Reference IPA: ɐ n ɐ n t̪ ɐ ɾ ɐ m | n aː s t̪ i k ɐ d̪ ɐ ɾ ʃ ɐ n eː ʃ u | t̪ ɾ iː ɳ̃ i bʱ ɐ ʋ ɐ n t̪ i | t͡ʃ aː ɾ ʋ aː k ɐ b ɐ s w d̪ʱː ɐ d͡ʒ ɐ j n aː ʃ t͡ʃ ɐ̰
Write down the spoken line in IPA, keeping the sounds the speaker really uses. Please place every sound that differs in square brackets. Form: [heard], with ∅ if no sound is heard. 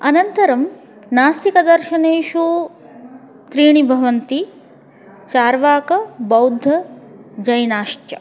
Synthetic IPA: ɐ n ɐ n t̪ ɐ ɾ ɐ m | n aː s t̪ i k ɐ d̪ ɐ ɾ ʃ ɐ n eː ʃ u | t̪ ɾ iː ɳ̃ i bʱ ɐ ʋ ɐ n t̪ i | t͡ʃ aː ɾ ʋ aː k ɐ b ɐ [∅] w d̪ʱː ɐ d͡ʒ ɐ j n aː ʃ t͡ʃ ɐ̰